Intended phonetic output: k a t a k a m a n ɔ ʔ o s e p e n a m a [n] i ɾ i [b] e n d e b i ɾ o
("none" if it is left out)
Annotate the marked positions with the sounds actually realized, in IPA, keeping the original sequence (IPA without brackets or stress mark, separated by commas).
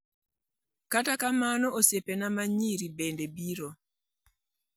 ɲ, b